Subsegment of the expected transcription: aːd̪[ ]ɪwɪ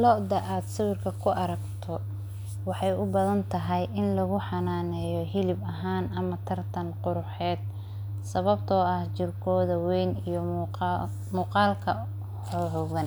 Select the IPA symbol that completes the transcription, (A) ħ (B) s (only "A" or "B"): B